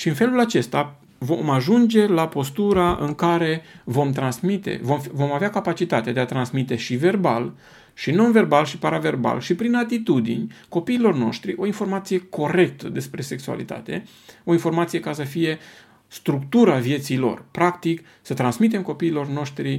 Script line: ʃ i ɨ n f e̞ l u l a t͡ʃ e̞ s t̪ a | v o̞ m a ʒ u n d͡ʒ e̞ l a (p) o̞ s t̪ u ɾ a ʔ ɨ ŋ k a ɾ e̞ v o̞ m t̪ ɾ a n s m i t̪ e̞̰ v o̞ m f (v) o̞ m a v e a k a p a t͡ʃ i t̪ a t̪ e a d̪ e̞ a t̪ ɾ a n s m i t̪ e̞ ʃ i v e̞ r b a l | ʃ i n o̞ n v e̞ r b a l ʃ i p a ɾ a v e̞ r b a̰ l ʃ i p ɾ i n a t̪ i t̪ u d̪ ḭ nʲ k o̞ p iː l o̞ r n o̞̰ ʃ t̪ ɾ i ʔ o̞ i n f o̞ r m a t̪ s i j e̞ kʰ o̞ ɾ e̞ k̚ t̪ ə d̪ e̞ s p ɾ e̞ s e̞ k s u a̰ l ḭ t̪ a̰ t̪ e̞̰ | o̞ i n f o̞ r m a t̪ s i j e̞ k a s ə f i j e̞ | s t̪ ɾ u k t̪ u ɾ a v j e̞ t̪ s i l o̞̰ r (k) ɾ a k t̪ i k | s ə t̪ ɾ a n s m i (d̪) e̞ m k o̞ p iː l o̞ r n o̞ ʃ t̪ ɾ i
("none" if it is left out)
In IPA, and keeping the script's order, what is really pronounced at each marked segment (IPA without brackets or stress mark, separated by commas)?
p, v, p, t̪